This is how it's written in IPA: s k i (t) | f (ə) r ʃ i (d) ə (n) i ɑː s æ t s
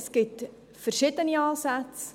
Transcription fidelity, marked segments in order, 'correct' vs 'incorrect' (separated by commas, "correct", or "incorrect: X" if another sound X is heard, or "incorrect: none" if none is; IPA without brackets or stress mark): correct, correct, incorrect: t, correct